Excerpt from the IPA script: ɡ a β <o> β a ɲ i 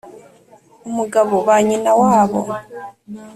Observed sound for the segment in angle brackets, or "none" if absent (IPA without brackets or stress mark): o